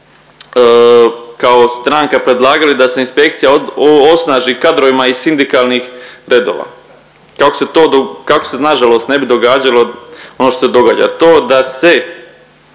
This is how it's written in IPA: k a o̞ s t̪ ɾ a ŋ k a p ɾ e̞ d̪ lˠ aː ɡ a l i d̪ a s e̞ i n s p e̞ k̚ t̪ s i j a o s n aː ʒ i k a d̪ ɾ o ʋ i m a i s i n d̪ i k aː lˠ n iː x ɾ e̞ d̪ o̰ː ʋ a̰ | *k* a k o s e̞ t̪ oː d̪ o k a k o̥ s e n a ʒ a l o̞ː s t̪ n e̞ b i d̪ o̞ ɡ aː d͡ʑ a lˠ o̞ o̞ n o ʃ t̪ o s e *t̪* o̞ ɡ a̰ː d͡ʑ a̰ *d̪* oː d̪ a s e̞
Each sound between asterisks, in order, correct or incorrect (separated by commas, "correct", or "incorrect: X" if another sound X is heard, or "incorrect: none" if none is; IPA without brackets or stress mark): correct, incorrect: d̪, incorrect: t̪